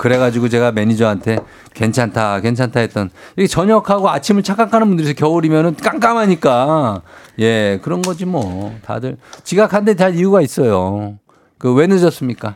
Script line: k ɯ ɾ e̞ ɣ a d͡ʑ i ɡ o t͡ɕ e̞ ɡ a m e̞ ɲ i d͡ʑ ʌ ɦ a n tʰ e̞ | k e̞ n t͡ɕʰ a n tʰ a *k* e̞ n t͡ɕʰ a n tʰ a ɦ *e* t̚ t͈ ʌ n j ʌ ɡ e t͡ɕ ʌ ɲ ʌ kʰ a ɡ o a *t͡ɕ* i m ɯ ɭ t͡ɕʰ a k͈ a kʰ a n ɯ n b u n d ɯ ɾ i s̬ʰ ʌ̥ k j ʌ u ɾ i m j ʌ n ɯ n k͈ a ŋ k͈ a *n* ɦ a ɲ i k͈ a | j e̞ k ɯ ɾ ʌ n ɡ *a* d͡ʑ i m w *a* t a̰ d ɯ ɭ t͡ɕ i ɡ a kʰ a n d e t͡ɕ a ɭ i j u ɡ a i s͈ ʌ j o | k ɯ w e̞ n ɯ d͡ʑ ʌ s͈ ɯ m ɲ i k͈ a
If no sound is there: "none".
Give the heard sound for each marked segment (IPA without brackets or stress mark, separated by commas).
k, e, t͡ɕʰ, m, ʌ, ʌ